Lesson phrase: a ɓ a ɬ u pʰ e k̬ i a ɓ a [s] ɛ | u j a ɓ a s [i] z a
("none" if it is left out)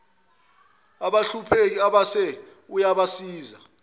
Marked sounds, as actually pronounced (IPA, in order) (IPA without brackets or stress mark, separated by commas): s, iː